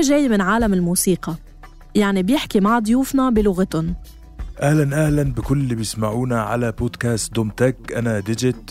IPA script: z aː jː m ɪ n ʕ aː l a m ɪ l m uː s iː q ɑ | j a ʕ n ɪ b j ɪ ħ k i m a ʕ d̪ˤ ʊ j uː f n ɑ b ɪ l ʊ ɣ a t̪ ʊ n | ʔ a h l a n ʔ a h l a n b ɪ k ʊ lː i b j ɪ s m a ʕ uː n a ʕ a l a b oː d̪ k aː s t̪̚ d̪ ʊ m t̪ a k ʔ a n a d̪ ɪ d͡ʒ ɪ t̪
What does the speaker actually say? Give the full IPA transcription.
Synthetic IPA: ʒ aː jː m ɪ n ʕ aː l a m ɪ l m uː s iː q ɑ | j a ʕ n i b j ɪ ħ k i m a ʕ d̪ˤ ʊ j uː f n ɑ b ɪ l ʊ ɣ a t̪ ʊ n | ʔ a h l a n ʔ a h l a n b ɪ k ʊ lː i b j ɪ s m a ʕ uː n a ʕ a l a b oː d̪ k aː s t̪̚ d̪ ʊ m t̪ a k ʔ a n a d̪ ɪ d͡ʒ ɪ t̪